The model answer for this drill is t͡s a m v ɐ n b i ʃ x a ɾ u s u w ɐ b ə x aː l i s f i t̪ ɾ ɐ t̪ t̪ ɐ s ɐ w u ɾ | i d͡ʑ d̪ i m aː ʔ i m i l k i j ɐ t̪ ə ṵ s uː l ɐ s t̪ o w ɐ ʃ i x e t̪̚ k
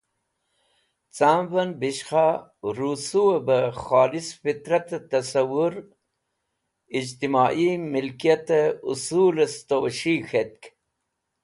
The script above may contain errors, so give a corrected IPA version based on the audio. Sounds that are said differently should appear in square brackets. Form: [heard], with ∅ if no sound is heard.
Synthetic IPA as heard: t͡s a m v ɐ n b i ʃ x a ɾ u s u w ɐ b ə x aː l i s f i t̪ ɾ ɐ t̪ t̪ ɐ s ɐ w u ɾ | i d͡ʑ [t̪] i m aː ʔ i m i l k i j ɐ t̪ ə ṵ s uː l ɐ s t̪ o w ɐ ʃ i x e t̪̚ k